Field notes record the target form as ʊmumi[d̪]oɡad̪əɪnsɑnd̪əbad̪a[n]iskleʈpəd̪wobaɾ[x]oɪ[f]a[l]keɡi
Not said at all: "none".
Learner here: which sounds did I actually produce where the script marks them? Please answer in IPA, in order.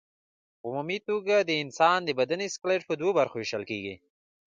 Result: t̪, n, x, ʃ, l

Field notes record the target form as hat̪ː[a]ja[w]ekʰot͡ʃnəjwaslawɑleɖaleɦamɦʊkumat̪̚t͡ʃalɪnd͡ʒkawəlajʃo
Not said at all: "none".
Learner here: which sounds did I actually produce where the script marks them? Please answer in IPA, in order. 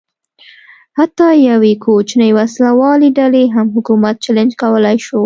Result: ɑ, w

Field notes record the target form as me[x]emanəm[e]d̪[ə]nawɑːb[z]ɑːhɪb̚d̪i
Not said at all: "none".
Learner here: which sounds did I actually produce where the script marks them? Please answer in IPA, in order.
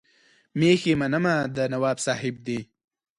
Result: x, a, ə, s

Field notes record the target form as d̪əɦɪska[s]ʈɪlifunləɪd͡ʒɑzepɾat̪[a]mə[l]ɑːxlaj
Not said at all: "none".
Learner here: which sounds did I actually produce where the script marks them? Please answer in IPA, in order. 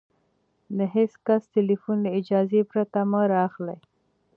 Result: s, a, ɾ

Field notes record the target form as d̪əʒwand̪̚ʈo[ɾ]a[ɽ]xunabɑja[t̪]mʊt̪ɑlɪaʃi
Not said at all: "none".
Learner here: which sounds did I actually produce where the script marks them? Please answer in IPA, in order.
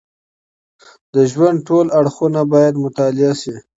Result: l, ɽ, d̪

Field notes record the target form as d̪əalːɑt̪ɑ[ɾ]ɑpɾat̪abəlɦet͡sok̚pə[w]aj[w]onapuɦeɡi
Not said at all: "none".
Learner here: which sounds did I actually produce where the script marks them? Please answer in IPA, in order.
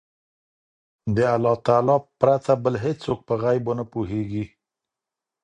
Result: l, ɣ, b

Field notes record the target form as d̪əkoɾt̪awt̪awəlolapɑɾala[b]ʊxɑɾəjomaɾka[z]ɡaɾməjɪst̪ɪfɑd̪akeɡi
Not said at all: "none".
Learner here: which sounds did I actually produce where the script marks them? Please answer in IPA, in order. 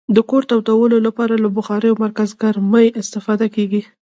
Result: b, z

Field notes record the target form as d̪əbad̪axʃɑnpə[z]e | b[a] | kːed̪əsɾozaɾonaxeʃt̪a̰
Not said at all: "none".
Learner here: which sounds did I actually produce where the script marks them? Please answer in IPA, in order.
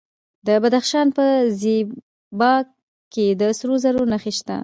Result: z, ɑ

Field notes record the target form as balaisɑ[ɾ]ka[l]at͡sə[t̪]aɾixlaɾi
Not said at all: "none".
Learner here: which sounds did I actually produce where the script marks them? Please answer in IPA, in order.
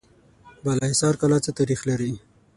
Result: ɾ, l, t̪

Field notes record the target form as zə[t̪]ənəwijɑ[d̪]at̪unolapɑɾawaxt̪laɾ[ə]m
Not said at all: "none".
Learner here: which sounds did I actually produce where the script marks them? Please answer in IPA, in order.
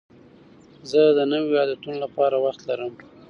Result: d̪, d̪, ə

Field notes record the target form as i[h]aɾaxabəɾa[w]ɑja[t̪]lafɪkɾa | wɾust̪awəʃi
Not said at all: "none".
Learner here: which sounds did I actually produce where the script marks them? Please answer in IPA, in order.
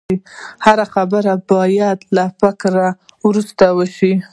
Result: h, b, d̪

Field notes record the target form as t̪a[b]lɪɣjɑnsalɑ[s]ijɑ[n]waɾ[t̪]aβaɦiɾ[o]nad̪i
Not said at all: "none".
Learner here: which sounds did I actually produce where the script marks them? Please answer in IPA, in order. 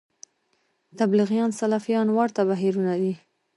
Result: b, f, n, t̪, u

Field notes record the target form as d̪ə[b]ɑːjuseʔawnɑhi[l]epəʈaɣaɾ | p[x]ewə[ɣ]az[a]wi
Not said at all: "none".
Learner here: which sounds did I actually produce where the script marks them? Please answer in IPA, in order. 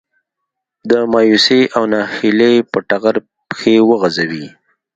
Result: m, l, x, ɣ, a

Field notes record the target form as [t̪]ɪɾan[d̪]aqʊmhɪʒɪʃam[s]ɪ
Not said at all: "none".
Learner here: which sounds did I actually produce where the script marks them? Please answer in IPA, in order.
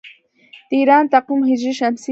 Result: t̪, t̪, s

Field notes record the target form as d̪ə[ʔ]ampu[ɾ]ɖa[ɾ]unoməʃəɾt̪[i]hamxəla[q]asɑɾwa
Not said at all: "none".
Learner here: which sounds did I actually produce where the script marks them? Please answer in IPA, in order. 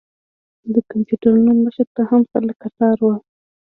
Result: k, none, ɾ, a, k

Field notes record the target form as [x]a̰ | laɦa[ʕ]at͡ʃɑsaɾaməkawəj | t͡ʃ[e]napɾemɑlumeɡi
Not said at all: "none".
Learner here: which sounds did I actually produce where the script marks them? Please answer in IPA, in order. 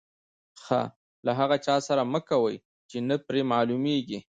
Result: x, ɣ, e

